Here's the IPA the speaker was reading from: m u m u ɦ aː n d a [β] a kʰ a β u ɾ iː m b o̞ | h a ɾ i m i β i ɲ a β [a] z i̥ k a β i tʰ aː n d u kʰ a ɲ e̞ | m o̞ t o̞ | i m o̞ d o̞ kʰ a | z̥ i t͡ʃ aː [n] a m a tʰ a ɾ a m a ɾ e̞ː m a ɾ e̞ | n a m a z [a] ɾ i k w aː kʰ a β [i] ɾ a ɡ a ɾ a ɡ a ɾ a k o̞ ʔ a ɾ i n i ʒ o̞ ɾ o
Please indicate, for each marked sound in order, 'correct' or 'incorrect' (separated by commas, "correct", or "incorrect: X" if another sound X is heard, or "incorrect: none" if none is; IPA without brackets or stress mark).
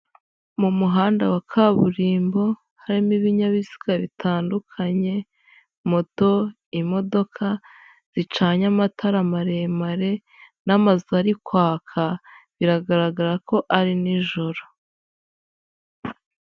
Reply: incorrect: w, incorrect: i, incorrect: ɲ, correct, correct